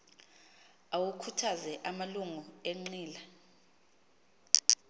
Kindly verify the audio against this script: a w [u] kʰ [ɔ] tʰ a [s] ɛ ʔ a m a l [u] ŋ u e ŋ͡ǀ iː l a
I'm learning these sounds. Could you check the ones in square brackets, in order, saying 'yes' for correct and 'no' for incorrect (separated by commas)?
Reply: yes, no, no, yes